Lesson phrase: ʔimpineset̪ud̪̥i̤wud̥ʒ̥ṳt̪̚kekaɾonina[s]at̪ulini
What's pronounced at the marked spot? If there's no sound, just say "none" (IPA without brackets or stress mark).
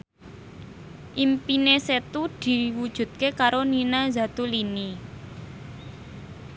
z